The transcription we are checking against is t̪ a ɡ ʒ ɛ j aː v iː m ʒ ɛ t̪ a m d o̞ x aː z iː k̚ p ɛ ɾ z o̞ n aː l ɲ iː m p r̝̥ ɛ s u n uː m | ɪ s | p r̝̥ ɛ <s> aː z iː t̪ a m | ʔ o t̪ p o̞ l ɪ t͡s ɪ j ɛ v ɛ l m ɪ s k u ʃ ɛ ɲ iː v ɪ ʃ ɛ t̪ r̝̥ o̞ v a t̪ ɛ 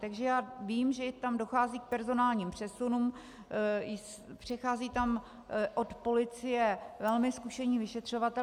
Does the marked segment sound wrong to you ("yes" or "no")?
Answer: yes